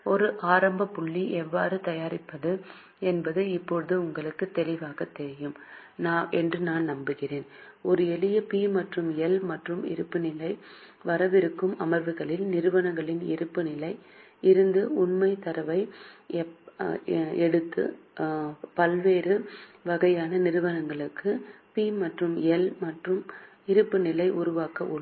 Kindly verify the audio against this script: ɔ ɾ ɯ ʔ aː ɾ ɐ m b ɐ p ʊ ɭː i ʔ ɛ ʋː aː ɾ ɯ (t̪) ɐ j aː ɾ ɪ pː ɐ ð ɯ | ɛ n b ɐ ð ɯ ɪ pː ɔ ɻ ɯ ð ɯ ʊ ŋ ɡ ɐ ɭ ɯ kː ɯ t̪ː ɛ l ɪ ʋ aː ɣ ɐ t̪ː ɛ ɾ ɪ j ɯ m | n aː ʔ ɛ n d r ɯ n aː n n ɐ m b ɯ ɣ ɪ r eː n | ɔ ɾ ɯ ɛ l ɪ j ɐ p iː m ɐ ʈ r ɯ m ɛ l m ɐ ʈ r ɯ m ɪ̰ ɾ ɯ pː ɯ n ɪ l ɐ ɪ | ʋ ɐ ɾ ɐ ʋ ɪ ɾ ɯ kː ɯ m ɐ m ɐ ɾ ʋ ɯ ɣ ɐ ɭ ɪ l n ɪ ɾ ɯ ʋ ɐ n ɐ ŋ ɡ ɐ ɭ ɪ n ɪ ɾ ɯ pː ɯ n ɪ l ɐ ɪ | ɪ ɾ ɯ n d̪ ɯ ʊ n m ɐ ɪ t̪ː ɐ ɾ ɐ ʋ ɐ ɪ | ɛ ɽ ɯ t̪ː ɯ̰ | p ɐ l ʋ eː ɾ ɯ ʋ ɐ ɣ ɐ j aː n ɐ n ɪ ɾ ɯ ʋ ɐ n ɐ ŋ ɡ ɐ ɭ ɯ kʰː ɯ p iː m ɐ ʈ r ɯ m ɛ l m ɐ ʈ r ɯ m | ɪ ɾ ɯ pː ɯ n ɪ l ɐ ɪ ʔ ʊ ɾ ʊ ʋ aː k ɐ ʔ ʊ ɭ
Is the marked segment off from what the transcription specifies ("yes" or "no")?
no